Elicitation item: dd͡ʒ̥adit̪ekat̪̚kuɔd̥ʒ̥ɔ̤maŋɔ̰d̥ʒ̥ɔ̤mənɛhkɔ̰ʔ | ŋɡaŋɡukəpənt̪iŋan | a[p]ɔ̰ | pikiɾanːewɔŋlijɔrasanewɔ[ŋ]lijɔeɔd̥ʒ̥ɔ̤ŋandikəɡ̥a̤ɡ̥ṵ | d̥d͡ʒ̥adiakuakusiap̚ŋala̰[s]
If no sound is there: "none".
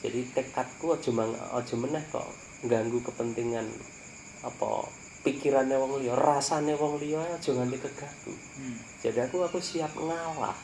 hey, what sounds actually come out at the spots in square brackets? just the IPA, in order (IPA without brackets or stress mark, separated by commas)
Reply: p, ŋ, h